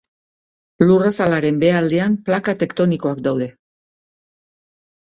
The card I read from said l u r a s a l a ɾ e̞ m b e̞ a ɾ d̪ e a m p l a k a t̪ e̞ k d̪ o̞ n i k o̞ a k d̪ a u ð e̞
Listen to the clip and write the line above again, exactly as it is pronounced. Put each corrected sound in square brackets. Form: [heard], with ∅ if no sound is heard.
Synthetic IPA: l u r a s a l a ɾ e̞ m b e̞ a [l] d̪ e a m p l a k a t̪ e̞ k [t̪] o̞ n i k o̞ a k d̪ a [w] ð e̞